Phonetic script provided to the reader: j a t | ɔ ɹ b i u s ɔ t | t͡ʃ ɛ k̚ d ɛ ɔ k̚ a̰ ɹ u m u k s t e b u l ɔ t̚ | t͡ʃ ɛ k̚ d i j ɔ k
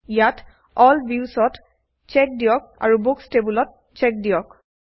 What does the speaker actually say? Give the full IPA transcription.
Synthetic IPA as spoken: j a t | ɔ l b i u s ɔ t | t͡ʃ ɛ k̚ d i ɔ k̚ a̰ ɹ u b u k s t e b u l ɔ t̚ | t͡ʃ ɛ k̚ d i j ɔ k